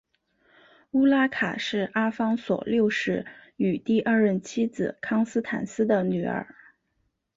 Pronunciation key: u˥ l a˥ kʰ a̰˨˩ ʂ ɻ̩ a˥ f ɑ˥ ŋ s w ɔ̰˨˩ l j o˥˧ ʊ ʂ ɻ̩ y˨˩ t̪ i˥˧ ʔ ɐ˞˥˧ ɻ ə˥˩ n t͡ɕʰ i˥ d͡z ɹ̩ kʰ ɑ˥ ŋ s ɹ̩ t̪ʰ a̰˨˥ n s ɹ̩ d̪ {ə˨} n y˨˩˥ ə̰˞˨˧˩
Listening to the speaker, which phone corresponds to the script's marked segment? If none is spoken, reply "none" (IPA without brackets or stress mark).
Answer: ə˨